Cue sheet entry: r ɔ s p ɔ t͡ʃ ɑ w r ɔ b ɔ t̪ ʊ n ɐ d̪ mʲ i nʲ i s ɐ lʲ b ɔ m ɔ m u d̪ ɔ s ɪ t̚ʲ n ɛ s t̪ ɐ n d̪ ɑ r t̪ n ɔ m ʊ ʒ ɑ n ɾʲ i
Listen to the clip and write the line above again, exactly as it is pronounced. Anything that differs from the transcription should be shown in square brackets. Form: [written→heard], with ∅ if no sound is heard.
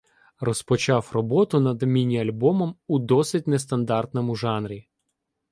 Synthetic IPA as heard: r ɔ s p ɔ t͡ʃ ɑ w r ɔ b ɔ t̪ ʊ n ɐ d̪ mʲ i nʲ i [s→∅] ɐ lʲ b ɔ m ɔ m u d̪ ɔ s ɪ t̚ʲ n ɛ s t̪ ɐ n d̪ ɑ r t̪ n ɔ m ʊ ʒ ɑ n ɾʲ i